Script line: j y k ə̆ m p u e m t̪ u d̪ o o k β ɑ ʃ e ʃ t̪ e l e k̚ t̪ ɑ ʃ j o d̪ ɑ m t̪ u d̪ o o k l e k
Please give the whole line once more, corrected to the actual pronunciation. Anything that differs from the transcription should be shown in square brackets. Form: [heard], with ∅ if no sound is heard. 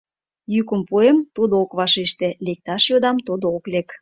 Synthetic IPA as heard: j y k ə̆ m p u e m t̪ u d̪ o o k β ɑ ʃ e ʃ t̪ e l e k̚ t̪ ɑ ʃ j o d̪ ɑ m t̪ u d̪ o o k l e k